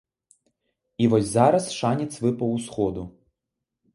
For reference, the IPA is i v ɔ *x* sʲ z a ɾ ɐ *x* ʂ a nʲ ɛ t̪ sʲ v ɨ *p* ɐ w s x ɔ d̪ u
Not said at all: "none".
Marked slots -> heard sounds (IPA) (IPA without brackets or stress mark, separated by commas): none, s, p